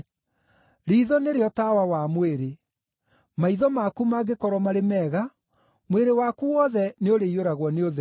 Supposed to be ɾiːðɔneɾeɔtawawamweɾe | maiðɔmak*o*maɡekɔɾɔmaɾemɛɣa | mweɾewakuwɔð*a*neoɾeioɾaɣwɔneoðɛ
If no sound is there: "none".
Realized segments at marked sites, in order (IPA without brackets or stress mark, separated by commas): u, ɛ